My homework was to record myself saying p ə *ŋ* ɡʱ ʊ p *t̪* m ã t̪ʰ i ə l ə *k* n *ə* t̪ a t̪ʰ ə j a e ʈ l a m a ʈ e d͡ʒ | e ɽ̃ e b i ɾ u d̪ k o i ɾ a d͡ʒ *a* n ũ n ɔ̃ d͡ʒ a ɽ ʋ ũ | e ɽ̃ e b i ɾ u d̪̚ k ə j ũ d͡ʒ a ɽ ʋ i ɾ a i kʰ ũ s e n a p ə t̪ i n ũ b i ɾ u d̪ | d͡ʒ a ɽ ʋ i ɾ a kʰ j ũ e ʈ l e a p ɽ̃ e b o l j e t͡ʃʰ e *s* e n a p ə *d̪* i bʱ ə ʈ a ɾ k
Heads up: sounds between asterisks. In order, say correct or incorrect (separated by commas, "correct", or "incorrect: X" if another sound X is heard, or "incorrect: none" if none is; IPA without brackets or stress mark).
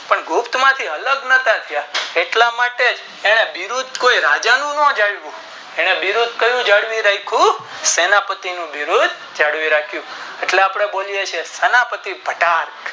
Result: incorrect: ɳ, correct, incorrect: ɡ, correct, correct, correct, incorrect: t̪